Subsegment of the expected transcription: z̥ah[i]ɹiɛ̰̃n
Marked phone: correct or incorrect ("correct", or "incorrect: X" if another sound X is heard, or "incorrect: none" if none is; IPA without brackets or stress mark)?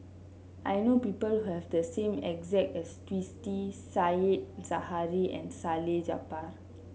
incorrect: a